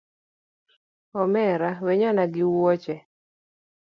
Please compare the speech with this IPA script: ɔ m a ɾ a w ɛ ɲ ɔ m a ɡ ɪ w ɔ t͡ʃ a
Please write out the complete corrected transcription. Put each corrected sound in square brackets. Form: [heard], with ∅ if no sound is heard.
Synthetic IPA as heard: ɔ m [ɛ] ɾ a w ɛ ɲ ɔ [n] a ɡ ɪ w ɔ t͡ʃ [ɛ]